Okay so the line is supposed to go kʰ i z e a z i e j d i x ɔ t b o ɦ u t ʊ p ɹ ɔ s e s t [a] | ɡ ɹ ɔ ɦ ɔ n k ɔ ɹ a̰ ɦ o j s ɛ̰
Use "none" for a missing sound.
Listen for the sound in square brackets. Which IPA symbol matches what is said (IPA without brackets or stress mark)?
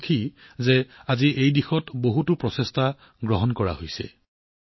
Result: a